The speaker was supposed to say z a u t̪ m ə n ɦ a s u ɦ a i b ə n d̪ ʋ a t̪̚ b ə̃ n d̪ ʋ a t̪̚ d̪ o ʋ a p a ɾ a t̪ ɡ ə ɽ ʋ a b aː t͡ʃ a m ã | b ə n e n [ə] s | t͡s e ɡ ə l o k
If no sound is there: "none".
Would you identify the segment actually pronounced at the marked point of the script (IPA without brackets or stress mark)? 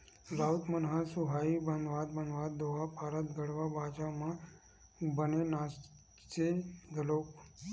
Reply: a